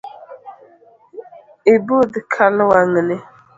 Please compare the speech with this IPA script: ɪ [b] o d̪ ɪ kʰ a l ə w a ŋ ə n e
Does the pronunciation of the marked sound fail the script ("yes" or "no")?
no